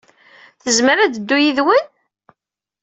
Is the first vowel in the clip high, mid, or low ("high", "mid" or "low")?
mid